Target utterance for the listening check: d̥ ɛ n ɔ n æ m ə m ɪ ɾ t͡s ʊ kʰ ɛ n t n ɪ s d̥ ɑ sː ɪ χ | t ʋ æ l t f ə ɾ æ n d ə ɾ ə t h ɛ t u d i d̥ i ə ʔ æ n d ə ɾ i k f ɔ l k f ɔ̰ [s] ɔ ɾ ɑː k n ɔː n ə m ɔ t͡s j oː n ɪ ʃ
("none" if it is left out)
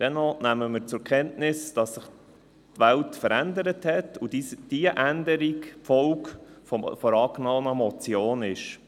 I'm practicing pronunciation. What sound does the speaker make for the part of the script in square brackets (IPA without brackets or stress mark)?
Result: f